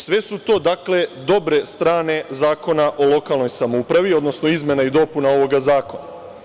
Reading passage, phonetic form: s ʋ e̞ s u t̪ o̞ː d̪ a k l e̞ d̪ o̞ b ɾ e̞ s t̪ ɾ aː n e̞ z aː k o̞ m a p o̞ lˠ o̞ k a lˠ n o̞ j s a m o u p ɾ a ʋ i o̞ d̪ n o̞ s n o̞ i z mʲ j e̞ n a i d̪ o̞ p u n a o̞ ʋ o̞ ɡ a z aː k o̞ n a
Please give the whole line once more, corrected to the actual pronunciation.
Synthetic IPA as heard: s ʋ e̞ s u t̪ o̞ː d̪ a k l e̞ d̪ o̞ b ɾ e̞ s t̪ ɾ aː n e̞ z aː k o̞ n a ʔ o̞ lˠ o̞ k a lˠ n o̞ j s a m o u p ɾ a ʋ i o̞ d̪ n o̞ s n o̞ i z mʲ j e̞ n a i d̪ o̞ p u n a o̞ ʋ o̞ ɡ a z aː k o̞ n a